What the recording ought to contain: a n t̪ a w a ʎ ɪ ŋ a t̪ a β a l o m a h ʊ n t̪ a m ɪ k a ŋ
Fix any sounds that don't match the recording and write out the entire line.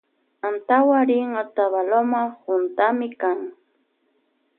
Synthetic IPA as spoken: a n t̪ a w a ɾ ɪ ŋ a t̪ a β a l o m a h ʊ n t̪ a m ɪ k a ŋ